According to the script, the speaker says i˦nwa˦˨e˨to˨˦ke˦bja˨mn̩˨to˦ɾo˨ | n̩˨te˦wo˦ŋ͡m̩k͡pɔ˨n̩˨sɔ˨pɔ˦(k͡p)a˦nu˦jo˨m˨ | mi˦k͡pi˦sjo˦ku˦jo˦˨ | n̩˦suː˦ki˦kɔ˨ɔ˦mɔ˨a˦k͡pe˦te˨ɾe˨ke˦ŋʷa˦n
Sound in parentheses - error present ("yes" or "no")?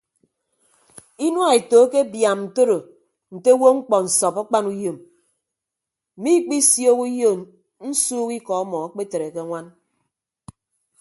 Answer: no